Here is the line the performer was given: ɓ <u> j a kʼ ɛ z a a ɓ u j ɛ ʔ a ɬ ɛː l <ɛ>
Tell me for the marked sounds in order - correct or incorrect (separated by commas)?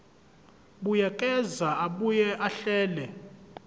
correct, correct